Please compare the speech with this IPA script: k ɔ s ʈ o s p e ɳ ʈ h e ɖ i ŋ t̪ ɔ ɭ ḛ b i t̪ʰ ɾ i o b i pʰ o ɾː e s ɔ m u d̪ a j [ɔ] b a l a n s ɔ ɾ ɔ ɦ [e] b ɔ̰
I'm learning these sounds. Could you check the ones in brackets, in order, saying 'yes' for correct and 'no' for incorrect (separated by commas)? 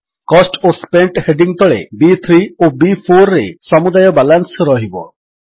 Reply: yes, no